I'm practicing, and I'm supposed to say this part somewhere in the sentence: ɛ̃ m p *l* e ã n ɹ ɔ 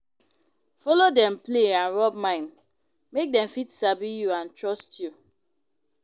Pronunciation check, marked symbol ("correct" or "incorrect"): correct